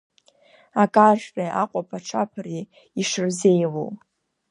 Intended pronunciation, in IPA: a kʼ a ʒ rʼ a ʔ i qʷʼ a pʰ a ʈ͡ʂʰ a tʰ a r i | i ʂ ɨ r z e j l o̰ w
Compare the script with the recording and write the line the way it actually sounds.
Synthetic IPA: a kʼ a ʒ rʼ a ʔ a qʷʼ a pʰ a ʈ͡ʂʰ a pʰ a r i | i ʂ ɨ r z e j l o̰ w